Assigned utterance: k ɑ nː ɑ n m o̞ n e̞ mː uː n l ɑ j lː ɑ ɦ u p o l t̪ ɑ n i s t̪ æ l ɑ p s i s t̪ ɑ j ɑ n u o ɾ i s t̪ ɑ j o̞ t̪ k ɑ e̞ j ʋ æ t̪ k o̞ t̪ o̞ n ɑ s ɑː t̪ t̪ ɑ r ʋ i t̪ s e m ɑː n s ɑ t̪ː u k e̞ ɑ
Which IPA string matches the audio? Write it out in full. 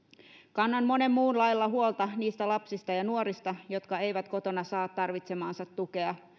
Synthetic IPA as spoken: k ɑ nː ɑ n m o̞ n e̞ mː uː n l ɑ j lː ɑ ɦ u o l t̪ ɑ n iː s t̪ æ l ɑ p s i s t̪ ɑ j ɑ n u o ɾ i s t̪ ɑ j o̞ t̪ k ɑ e̞ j ʋ æ t̪ k o̞ t̪ o̞ n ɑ s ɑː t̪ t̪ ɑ r ʋ i t̪ s e m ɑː n s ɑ t̪ː u k e̞ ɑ